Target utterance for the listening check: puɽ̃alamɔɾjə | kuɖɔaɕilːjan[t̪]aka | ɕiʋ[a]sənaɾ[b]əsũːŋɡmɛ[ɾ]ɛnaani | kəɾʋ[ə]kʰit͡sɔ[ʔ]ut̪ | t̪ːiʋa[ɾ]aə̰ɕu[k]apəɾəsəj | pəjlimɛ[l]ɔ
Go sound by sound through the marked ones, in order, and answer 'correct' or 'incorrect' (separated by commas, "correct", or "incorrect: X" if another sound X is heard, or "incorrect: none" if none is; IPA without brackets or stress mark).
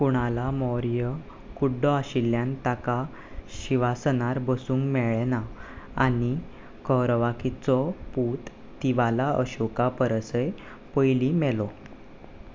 correct, correct, correct, incorrect: ɭ, incorrect: a, incorrect: p, incorrect: l, correct, correct